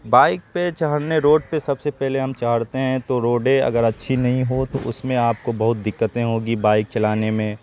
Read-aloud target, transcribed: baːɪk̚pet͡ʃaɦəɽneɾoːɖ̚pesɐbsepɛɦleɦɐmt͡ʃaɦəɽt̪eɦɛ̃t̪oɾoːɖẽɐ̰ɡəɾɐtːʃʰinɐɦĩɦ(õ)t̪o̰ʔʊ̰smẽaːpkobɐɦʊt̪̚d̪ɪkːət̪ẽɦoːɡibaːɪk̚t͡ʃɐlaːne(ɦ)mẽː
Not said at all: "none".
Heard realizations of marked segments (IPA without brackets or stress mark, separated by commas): o, none